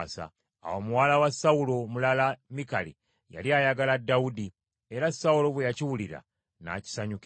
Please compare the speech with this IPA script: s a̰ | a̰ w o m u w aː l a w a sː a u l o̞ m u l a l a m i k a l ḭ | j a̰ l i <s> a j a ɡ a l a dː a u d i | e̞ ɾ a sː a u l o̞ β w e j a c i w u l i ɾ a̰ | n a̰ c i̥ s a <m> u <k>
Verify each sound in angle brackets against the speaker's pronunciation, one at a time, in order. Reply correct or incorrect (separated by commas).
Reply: incorrect, incorrect, correct